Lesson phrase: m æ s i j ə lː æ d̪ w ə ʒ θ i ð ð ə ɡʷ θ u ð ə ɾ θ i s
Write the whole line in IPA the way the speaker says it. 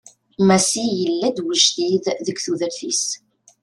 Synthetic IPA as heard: m æ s i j ə lː æ d̪ w ə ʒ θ i ð ð ə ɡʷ θ u ð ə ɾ θ i s